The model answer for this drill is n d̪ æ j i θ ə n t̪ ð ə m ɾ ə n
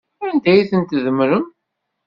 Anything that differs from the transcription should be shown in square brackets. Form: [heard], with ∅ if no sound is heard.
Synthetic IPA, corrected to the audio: n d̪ æ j i θ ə n t̪ ð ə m ɾ ə [m]